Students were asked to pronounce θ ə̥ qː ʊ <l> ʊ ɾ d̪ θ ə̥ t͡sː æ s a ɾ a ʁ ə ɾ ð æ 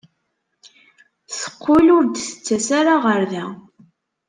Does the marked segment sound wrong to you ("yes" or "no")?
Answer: no